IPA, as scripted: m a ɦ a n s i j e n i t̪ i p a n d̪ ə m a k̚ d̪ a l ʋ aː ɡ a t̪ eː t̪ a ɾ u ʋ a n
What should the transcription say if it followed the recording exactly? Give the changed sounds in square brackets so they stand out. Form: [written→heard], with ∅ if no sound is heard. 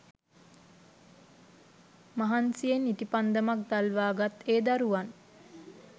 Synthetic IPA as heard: m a ɦ a n s i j e n i t̪ i p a n d̪ ə m a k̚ d̪ a l ʋ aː ɡ a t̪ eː [t̪→d̪] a ɾ u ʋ a n